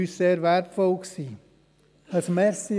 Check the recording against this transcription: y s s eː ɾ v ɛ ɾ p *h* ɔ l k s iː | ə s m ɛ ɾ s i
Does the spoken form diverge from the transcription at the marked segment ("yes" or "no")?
yes